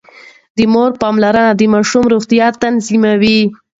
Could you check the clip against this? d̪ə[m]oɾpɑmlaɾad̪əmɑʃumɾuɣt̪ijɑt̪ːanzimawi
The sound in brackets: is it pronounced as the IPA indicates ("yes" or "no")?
yes